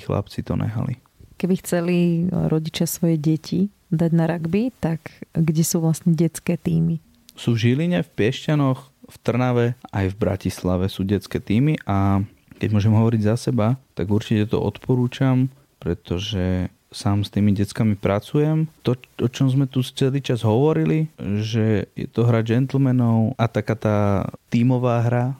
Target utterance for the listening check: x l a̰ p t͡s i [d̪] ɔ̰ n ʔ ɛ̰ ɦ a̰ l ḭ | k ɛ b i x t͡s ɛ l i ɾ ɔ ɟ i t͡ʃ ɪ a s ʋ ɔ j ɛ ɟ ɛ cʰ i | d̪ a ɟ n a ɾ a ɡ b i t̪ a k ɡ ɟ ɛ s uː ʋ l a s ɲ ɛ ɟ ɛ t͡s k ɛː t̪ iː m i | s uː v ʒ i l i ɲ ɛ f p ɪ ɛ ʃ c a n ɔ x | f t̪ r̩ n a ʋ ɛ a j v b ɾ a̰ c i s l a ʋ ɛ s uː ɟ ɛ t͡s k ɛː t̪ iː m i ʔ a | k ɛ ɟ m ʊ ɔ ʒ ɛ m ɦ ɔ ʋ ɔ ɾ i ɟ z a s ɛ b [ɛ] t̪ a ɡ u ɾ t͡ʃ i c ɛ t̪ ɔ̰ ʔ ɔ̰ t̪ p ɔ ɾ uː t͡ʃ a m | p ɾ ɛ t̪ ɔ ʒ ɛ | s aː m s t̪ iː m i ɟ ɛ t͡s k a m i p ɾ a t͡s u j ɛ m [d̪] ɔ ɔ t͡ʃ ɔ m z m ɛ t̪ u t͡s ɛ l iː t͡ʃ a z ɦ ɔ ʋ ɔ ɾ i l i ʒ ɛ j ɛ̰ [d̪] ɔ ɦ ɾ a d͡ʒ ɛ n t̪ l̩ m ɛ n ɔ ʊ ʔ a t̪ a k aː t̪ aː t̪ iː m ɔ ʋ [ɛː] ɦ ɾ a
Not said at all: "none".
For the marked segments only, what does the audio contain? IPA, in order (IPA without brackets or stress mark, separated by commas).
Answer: t̪, a, t̪, t̪, aː